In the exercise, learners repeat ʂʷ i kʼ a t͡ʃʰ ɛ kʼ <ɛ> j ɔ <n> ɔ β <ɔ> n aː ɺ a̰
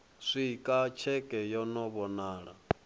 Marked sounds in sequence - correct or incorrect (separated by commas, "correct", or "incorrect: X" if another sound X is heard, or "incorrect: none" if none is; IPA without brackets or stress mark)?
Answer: correct, correct, correct